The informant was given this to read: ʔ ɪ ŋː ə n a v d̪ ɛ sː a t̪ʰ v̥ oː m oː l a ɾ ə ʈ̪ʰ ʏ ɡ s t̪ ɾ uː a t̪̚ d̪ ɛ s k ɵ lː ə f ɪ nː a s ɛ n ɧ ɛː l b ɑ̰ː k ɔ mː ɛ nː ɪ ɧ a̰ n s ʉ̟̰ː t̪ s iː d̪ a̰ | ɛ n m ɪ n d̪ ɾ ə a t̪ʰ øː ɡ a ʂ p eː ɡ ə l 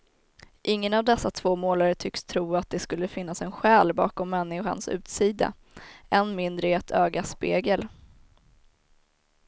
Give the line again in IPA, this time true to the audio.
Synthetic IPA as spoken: ʔ ɪ ŋː ə n a v d̪ ɛ sː a t̪ʰ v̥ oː m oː l a ɾ ə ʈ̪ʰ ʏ k s t̪ʰ ɾ uː a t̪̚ d̪ ɛ s k ɵ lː ə f ɪ nː a s ɛ n ɧ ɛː l b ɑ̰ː k ɔ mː ɛ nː ɪ ɧ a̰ n s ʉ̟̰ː t̪ s iː d̪ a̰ | ɛ n m ɪ n d̪ ɾ ə ɛ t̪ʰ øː ɡ a s p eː ɡ ə l